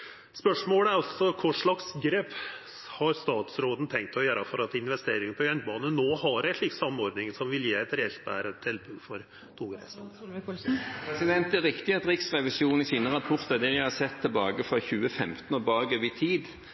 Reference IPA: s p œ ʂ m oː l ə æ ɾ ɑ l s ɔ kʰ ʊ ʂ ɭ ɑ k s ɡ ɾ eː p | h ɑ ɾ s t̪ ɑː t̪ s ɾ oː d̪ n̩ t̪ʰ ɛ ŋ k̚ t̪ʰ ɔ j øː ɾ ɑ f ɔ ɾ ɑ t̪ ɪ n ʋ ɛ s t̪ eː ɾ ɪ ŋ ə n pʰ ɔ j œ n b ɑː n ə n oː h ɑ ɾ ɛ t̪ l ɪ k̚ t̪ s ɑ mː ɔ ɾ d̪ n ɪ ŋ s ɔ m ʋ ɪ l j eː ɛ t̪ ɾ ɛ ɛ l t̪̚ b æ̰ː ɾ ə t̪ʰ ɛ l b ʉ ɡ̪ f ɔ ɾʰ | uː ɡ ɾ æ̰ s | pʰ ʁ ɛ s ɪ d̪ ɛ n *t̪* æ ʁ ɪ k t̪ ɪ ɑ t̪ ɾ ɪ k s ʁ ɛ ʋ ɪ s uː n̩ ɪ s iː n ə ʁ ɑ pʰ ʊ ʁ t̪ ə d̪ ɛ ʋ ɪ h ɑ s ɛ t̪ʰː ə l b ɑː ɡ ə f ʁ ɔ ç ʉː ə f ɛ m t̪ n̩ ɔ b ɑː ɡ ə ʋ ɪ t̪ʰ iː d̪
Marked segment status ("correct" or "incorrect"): correct